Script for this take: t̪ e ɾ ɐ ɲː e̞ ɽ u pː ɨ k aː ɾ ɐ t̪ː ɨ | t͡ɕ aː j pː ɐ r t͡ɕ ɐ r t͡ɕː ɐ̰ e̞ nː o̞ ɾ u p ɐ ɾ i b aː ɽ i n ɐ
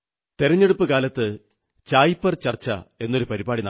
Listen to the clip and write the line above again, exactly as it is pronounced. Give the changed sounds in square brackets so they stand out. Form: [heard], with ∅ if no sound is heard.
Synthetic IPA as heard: t̪ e ɾ ɐ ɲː e̞ ɽ u pː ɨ k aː [l] ɐ t̪ː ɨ | t͡ɕ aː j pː ɐ r t͡ɕ ɐ r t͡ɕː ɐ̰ e̞ nː o̞ ɾ u p ɐ ɾ i b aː ɽ i n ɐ